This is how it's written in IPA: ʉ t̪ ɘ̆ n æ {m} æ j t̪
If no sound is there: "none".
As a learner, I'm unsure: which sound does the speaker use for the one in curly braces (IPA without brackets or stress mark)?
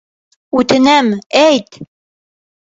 m